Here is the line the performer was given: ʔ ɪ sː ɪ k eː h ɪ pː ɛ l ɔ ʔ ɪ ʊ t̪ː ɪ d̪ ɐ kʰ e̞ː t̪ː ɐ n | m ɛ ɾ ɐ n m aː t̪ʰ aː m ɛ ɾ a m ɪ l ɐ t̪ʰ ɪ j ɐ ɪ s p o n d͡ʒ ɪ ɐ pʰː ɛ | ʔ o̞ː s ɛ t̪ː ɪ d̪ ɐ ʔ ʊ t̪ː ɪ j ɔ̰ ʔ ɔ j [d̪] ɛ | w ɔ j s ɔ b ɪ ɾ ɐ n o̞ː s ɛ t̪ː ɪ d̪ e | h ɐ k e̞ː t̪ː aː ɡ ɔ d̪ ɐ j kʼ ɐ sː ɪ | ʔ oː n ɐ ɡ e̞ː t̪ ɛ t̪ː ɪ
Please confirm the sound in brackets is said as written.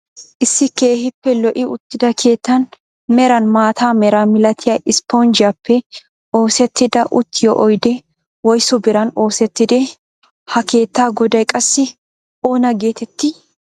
yes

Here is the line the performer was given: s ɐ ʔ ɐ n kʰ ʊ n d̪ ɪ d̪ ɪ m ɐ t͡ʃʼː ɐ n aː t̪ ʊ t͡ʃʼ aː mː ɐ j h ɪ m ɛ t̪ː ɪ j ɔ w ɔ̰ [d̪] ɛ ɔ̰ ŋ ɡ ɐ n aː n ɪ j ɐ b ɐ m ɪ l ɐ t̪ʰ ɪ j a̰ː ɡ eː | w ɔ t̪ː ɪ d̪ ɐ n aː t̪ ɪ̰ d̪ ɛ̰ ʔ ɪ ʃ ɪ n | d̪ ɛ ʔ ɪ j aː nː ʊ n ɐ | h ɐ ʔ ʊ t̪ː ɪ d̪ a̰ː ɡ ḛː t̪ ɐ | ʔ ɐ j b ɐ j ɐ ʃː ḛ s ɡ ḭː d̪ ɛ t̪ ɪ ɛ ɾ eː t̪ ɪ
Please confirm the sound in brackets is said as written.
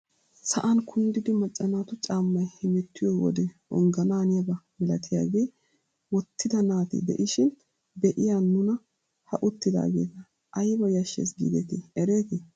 yes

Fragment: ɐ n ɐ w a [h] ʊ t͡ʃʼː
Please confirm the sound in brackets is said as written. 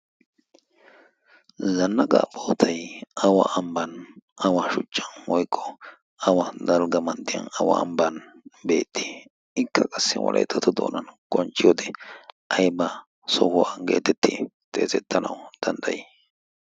no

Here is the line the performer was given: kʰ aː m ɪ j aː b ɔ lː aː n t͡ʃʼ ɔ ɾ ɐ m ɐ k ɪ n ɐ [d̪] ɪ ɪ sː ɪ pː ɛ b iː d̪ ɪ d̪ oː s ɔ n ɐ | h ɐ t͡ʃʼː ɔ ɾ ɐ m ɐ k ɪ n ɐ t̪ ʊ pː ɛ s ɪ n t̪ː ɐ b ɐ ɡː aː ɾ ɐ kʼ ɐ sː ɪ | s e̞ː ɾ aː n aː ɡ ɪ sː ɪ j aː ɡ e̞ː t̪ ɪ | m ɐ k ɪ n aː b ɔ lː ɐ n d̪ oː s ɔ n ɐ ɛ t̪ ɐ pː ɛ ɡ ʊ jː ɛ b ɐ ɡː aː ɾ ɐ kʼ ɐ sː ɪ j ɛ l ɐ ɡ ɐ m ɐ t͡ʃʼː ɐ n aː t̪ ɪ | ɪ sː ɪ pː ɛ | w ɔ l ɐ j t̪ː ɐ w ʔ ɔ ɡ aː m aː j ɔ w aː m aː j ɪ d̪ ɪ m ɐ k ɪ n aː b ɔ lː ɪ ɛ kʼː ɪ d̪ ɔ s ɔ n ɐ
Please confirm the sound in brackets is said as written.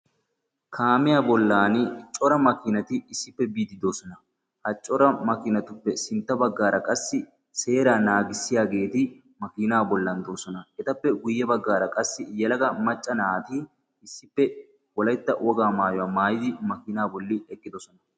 no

